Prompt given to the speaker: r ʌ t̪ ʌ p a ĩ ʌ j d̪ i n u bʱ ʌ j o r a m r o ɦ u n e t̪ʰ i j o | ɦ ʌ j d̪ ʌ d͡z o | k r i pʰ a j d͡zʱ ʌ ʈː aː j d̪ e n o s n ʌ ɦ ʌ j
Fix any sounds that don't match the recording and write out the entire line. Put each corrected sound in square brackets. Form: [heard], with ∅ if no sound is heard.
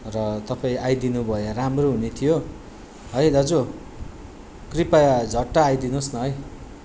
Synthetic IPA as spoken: r ʌ t̪ ʌ p a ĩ [a] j d̪ i n u bʱ ʌ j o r a m r o ɦ u n e t̪ʰ i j o | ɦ ʌ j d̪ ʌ d͡z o | k r i [p] a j d͡zʱ ʌ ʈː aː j d̪ [i] n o s n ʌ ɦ ʌ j